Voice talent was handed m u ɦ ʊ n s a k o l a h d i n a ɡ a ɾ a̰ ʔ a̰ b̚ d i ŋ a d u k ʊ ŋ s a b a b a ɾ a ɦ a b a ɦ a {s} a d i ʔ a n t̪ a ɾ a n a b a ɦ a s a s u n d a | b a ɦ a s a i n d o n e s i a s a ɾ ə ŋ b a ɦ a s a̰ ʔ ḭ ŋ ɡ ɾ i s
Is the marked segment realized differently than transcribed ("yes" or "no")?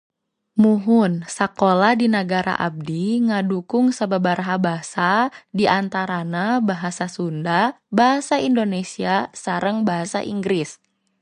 no